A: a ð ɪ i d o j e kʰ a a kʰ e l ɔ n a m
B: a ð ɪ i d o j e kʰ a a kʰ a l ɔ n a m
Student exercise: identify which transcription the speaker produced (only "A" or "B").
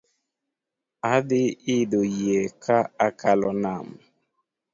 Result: B